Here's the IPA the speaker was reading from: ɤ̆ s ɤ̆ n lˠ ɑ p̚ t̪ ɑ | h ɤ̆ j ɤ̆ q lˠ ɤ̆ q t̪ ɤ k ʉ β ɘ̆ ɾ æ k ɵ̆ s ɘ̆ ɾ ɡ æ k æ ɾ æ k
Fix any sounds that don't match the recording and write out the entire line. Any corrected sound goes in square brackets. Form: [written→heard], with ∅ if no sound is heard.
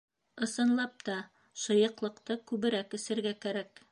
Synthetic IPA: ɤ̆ s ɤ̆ n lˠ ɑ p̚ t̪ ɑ | [h→ʃ] ɤ̆ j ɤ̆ q lˠ ɤ̆ q t̪ ɤ k ʉ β ɘ̆ ɾ æ k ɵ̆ s ɘ̆ ɾ ɡ æ k æ ɾ æ k